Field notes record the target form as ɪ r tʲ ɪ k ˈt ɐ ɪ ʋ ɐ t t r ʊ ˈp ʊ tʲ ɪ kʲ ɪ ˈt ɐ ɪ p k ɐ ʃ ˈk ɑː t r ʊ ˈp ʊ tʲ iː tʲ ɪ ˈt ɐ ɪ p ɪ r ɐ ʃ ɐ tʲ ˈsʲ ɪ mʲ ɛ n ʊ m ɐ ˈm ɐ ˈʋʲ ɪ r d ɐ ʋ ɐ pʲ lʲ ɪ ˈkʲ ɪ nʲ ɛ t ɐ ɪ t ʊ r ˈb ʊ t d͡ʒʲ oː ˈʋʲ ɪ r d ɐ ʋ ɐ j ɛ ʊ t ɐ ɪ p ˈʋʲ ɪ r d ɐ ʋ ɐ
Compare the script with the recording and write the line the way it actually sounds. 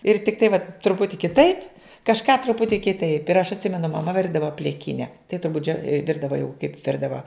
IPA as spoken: ɪ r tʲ ɪ k ˈt ɐ ɪ ʋ ɐ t t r ʊ ˈp ʊ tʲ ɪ kʲ ɪ ˈt ɐ ɪ p k ɐ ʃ ˈk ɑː t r ʊ ˈp ʊ tʲ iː kʲ ɪ ˈt ɐ ɪ p ɪ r ɐ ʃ ɐ tʲ ˈsʲ ɪ mʲ ɛ n ʊ m ɐ ˈm ɐ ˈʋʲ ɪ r d ɐ ʋ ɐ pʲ lʲ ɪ ˈkʲ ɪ nʲ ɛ t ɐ ɪ t ʊ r ˈb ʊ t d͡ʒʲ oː ˈʋʲ ɪ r d ɐ ʋ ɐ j ɛ ʊ k ɐ ɪ p ˈʋʲ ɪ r d ɐ ʋ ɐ

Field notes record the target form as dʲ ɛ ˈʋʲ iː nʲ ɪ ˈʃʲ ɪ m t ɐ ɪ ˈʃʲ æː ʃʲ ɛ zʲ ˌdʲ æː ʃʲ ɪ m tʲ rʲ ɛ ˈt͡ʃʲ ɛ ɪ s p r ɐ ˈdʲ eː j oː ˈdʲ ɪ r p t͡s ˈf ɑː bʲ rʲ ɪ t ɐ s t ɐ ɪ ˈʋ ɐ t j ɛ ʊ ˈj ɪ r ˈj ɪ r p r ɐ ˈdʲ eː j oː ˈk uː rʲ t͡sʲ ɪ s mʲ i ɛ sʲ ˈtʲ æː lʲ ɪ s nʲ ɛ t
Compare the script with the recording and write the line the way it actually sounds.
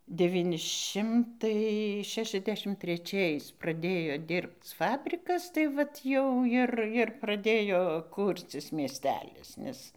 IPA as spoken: dʲ ɛ ˈʋʲ iː nʲ ɪ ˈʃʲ ɪ m t ɐ ɪ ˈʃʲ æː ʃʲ ɛ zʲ ˌdʲ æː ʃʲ ɪ m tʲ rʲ ɛ ˈt͡ʃʲ ɛ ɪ s p r ɐ ˈdʲ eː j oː ˈdʲ ɪ r p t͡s ˈf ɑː bʲ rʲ ɪ k ɐ s t ɐ ɪ ˈʋ ɐ t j ɛ ʊ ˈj ɪ r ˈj ɪ r p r ɐ ˈdʲ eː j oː ˈk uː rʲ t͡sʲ ɪ s mʲ i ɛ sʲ ˈtʲ æː lʲ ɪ s nʲ ɛ s

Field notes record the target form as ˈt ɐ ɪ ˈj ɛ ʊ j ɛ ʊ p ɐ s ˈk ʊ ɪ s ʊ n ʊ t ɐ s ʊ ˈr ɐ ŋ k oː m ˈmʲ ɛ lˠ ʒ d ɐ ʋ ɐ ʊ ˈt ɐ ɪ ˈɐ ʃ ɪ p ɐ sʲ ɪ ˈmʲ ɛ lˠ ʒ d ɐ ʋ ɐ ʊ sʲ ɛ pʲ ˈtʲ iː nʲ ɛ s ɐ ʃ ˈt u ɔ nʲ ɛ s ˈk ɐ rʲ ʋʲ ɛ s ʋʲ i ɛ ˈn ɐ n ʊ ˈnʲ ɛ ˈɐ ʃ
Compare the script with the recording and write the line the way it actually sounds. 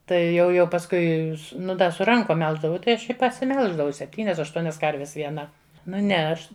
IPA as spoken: ˈt ɐ ɪ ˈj ɛ ʊ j ɛ ʊ p ɐ s ˈk ʊ ɪ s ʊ n ʊ d ɐ s ʊ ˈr ɐ ŋ k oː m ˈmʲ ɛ lˠ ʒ d ɐ ʋ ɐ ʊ ˈt ɐ ɪ ˈɐ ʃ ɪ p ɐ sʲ ɪ ˈmʲ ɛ lˠ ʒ d ɐ ʋ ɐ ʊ sʲ ɛ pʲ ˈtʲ iː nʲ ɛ s ɐ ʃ ˈt u ɔ nʲ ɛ s ˈk ɐ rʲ ʋʲ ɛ s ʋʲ i ɛ ˈn ɐ n ʊ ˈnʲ ɛ ˈɐ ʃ

